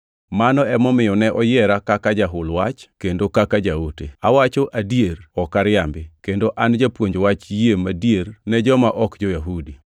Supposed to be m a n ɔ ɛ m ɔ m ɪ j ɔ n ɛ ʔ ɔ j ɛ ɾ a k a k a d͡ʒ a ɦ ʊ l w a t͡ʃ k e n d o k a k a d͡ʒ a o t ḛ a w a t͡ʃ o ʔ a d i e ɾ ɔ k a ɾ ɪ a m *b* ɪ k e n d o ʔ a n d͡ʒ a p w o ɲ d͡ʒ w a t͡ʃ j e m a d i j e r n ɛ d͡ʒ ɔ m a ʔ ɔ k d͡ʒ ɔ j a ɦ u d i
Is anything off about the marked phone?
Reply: no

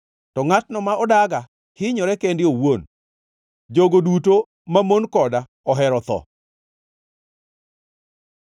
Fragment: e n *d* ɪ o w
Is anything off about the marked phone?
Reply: no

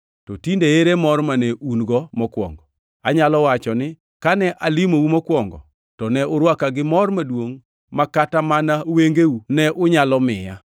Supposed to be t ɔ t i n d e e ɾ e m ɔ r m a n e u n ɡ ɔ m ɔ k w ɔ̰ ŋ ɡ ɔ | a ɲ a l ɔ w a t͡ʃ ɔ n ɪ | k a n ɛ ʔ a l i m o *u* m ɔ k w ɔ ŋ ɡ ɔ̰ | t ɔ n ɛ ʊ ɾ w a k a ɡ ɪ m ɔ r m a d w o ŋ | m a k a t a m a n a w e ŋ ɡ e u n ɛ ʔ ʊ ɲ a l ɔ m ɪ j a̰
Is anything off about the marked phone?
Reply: no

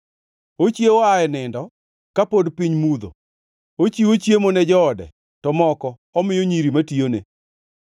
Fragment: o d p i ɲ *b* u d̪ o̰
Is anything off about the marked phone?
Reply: yes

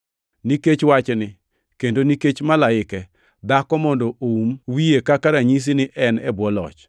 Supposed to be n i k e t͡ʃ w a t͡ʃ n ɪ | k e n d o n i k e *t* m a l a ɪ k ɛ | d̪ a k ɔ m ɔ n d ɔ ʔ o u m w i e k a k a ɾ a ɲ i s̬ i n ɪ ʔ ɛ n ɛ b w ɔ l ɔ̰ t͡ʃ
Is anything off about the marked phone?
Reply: yes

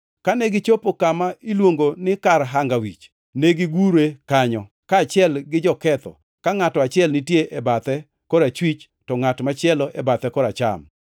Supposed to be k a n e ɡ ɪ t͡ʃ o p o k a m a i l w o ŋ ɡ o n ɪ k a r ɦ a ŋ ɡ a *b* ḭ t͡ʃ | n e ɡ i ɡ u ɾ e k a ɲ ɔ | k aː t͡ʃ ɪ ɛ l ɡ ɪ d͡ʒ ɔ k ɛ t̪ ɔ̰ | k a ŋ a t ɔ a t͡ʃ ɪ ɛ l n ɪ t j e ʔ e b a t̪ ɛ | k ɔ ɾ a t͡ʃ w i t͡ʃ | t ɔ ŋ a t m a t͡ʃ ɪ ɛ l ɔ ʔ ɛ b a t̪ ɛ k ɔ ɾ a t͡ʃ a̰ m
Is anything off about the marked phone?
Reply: yes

